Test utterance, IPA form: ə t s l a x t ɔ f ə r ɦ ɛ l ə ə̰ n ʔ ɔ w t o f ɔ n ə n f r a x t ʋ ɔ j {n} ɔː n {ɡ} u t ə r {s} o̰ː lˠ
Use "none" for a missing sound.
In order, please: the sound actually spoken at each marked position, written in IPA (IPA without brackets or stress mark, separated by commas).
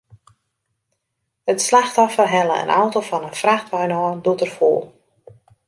n, d, f